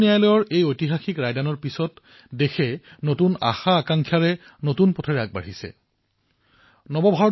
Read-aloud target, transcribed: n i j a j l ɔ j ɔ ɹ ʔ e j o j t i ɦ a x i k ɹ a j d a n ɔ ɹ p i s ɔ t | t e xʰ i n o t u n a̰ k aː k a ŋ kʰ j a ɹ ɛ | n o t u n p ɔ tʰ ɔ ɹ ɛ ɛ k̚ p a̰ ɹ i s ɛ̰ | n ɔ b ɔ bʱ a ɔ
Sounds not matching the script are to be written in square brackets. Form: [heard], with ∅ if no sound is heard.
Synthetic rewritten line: n i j a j l ɔ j ɔ ɹ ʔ e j o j t i ɦ a x i k ɹ a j d a n ɔ ɹ p i s ɔ t | [d] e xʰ [ɛ] n o t u n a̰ [x] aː k a ŋ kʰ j a ɹ ɛ | n o t u n p ɔ tʰ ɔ ɹ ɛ [a] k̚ [b] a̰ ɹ i s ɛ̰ | n ɔ b ɔ bʱ a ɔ

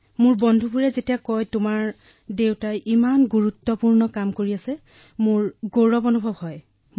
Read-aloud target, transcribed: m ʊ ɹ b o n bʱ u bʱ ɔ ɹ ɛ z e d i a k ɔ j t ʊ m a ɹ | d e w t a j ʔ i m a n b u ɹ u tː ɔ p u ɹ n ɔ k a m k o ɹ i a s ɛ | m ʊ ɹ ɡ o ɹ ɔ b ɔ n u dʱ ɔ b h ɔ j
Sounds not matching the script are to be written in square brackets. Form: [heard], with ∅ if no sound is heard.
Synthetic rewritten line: m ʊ ɹ b [ɔ] n [dʱ] u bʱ [u] ɹ ɛ z e [t] i a k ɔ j t ʊ m a ɹ | d e w t a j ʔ i m a n [ɡ] u ɹ u tː ɔ p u ɹ n ɔ k a m k o ɹ i a s ɛ | m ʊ ɹ ɡ o ɹ ɔ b ɔ n u [bʱ] ɔ b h ɔ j

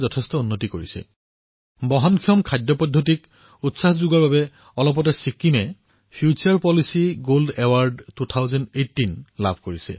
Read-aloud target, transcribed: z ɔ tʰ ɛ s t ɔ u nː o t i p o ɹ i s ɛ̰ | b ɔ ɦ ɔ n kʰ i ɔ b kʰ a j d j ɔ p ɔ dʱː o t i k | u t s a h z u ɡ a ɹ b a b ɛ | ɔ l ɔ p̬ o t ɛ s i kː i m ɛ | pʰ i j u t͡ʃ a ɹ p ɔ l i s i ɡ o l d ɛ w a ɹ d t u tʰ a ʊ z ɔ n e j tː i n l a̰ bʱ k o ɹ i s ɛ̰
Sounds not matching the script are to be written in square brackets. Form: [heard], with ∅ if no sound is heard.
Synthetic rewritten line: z ɔ tʰ ɛ s t ɔ u nː o t i [k] o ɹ i s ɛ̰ | b ɔ ɦ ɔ n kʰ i ɔ [m] kʰ a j d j ɔ p ɔ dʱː o t i k | u t s a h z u ɡ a ɹ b a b ɛ | ɔ l ɔ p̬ [ɔ] t ɛ s i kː i m ɛ | pʰ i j u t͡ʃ a ɹ p ɔ l i s i ɡ o l d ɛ w a ɹ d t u tʰ a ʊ z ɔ n e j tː i n l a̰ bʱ k o ɹ i s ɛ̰

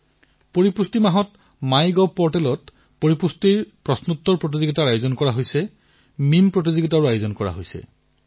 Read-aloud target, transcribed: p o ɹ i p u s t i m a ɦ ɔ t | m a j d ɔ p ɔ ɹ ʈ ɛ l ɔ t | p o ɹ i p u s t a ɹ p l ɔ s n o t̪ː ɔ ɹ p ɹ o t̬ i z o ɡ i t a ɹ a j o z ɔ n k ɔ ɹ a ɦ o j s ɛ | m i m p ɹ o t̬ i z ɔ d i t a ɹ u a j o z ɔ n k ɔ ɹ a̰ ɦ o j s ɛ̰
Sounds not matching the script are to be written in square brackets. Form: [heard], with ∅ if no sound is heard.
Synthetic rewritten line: p o ɹ i p u s t i m a ɦ ɔ t | m a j [ɡ] ɔ p ɔ ɹ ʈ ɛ l ɔ t | p o ɹ i p u s t [i] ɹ p [ɹ] ɔ s n [u] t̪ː ɔ ɹ p ɹ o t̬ i z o ɡ i t a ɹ a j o z ɔ n k ɔ ɹ a ɦ o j s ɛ | m i m p ɹ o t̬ i z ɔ [ɡ] i t a ɹ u a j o z ɔ n k ɔ ɹ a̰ ɦ o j s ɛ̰

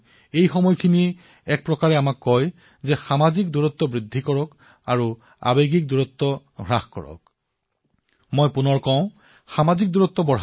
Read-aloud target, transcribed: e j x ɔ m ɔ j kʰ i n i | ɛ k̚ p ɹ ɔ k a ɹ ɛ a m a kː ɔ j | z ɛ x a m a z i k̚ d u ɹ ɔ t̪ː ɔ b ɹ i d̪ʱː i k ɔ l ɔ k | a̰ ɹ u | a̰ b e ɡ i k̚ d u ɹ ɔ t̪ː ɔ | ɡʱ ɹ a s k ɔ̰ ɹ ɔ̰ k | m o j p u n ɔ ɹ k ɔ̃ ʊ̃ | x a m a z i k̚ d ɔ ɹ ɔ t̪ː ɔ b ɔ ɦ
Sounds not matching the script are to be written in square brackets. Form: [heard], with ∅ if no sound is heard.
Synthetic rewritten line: e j x ɔ m ɔ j kʰ i n i | ɛ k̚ p ɹ ɔ k a ɹ ɛ a m a kː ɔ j | z ɛ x a m a z i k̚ d u ɹ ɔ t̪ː ɔ b ɹ i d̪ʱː i k ɔ [ɹ] ɔ k | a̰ ɹ u | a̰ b e ɡ i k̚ d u ɹ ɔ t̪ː ɔ | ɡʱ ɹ a [x] k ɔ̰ ɹ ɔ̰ k | m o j p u n ɔ ɹ k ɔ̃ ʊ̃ | x a m a z i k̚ d [u] ɹ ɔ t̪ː ɔ b ɔ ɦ

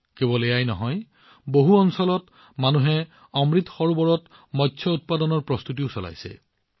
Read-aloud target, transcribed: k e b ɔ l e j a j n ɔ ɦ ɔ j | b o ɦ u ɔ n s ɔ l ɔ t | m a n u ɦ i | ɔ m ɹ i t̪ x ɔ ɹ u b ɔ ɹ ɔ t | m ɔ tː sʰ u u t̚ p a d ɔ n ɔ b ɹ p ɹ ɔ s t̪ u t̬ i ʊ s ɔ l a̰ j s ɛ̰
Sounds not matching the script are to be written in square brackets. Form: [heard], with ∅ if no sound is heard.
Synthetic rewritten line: k e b ɔ l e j a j n ɔ ɦ ɔ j | b o ɦ u ɔ n s ɔ l ɔ t | m a n u ɦ [ɛ] | ɔ m ɹ i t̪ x ɔ ɹ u b ɔ ɹ ɔ t | m ɔ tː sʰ [ɔ] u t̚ p a d ɔ n ɔ [∅] ɹ p ɹ ɔ s t̪ u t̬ i ʊ s ɔ l a̰ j s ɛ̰

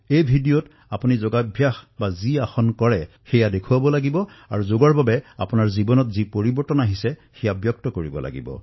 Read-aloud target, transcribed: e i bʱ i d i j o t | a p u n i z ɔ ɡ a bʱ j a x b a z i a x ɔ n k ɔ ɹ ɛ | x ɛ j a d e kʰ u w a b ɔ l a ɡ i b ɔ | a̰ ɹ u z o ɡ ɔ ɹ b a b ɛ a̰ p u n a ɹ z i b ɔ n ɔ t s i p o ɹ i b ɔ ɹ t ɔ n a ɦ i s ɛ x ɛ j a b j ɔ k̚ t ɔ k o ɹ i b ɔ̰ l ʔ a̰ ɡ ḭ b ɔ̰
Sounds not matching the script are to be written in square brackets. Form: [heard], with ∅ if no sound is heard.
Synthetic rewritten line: e [j] bʱ i d i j o t | a p u n i z ɔ ɡ a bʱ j a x b a z i a x ɔ n k ɔ ɹ ɛ | x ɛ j a d e kʰ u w a b ɔ l a ɡ i b ɔ | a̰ ɹ u z o ɡ ɔ ɹ b a b ɛ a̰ p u n a ɹ z i b ɔ n ɔ t [z] i p o ɹ i b ɔ ɹ t ɔ n a ɦ i s ɛ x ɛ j a b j ɔ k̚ t ɔ k o ɹ i b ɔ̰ l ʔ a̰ ɡ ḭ b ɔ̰

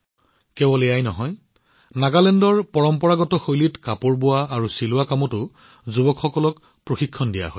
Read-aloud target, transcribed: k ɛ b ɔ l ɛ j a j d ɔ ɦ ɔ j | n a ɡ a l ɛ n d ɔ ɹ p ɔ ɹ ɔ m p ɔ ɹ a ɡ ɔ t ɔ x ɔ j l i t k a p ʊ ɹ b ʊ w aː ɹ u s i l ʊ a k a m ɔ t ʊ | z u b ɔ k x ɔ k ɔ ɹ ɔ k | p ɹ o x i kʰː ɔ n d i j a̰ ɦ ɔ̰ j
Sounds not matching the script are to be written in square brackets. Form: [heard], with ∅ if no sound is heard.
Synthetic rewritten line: k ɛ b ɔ l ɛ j a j [n] ɔ ɦ ɔ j | n a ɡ a l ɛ n d ɔ ɹ p ɔ ɹ ɔ m p ɔ ɹ a ɡ ɔ t ɔ x [o] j l i t k a p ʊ ɹ b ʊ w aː ɹ u s i l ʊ a k a m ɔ t ʊ | z u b ɔ k x ɔ k ɔ [l] ɔ k | p ɹ o x i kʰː ɔ n d i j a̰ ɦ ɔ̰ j

